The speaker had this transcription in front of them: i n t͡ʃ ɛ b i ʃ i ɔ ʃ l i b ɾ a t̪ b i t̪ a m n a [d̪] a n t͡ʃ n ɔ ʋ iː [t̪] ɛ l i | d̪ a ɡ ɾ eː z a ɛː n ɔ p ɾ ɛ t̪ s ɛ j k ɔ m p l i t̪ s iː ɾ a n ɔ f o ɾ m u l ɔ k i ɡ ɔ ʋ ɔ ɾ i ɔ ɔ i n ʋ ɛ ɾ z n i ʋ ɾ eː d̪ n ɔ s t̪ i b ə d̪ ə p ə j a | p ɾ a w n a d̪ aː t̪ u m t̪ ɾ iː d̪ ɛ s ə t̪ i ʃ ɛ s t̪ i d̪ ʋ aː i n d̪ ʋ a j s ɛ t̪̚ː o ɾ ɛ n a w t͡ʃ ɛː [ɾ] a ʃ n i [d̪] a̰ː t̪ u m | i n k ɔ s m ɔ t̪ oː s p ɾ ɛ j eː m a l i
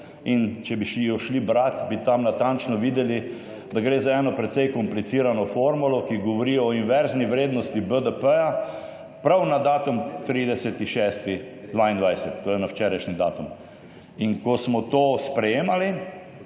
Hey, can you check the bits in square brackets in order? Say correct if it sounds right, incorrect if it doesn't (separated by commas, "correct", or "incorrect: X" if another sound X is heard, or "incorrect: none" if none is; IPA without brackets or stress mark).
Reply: incorrect: t̪, incorrect: d̪, correct, correct